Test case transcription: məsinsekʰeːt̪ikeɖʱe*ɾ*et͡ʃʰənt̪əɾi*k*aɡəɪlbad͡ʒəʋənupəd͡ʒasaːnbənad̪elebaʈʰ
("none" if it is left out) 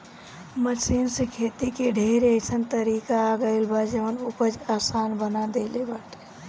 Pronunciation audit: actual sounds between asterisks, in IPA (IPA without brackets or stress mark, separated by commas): ɾ, k